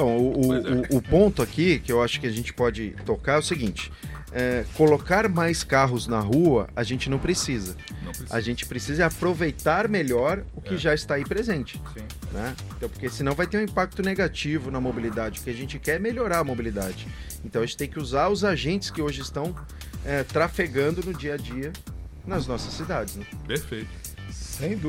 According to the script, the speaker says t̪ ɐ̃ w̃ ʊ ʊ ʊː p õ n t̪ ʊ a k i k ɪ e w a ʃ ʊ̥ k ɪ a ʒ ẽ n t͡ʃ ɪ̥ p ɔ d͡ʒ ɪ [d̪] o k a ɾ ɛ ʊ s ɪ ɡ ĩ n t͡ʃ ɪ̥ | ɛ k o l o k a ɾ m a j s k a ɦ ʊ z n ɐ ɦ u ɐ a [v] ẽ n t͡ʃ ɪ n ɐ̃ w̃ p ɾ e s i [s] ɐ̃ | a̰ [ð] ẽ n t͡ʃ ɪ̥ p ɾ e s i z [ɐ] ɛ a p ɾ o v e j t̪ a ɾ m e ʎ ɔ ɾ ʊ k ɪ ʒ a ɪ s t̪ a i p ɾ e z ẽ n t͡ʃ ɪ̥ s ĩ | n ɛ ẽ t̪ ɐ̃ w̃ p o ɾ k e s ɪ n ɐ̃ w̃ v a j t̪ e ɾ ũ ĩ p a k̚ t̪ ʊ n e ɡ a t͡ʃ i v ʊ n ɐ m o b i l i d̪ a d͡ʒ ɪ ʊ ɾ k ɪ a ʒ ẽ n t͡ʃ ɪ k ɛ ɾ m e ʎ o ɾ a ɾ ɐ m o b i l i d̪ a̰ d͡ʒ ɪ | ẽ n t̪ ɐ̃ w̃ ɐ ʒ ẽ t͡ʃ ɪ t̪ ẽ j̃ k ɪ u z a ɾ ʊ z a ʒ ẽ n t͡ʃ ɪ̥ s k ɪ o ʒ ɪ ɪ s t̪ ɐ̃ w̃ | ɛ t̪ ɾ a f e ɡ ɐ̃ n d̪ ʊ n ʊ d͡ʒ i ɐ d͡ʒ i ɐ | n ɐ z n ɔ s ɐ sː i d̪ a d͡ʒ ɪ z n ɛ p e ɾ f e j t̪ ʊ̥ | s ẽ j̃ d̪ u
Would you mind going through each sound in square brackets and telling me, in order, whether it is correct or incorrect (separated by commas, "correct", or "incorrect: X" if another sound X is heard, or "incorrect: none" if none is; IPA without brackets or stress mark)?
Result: incorrect: t̪, incorrect: ʒ, incorrect: z, incorrect: ʒ, correct